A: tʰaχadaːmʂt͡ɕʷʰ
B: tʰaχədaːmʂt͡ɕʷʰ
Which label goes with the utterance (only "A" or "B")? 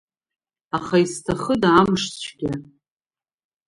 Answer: B